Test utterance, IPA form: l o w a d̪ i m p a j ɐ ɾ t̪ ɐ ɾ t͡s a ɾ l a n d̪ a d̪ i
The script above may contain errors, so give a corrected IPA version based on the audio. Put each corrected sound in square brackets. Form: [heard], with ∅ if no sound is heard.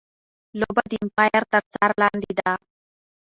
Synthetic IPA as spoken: l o [b] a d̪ i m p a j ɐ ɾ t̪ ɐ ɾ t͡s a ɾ l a n d̪ [i] d̪ [a]